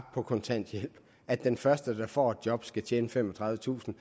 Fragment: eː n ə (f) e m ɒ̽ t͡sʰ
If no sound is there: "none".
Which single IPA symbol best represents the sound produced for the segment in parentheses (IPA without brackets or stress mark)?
f